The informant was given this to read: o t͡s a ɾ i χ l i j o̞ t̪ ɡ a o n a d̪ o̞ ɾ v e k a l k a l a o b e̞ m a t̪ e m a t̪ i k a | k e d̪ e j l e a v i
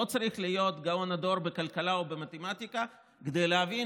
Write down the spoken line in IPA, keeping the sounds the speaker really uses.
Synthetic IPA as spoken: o t͡s a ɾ i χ l i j o̞ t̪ ɡ a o n a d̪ o̞ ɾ b e k a l k a l a o b e̞ m a t̪ e m a t̪ i k a | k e d̪ e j l e a v i